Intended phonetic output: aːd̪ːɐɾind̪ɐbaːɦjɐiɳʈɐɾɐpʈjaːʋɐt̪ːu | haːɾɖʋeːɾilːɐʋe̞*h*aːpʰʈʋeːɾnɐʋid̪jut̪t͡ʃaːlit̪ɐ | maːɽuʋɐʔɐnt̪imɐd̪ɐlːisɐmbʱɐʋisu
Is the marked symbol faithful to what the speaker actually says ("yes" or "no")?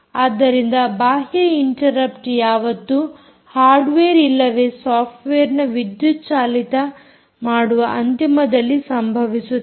no